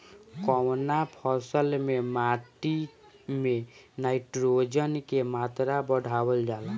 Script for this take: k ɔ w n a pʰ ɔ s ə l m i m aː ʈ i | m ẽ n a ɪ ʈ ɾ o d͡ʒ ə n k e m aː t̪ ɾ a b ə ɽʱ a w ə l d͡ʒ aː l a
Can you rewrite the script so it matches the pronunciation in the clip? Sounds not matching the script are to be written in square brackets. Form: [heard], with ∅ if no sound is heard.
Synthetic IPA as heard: k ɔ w n a pʰ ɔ s ə l m [e] m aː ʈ i | m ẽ n a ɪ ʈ ɾ o d͡ʒ ə n k e m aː t̪ ɾ a b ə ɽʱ a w ə l d͡ʒ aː l a